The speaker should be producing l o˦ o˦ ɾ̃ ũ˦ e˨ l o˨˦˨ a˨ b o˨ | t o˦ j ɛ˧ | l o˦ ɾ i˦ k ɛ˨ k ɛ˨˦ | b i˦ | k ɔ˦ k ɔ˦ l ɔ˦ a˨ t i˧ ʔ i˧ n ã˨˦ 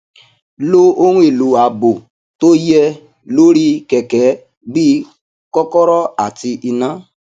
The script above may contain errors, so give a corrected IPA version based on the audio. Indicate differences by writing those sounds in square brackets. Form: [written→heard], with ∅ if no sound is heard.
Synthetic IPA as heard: l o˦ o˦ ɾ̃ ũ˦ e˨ l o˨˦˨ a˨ b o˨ | t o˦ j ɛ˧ | l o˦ ɾ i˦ k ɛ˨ k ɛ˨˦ | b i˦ | k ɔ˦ k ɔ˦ [l→ɾ] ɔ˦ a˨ t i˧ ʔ i˧ n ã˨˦